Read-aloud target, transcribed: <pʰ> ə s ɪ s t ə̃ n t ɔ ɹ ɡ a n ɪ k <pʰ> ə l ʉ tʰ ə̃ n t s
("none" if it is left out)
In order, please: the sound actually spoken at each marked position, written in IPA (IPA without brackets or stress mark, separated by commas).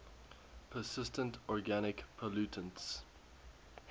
pʰ, pʰ